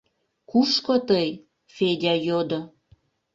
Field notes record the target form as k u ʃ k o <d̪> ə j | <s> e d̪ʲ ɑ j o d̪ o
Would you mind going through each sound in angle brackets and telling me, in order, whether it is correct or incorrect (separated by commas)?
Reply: incorrect, incorrect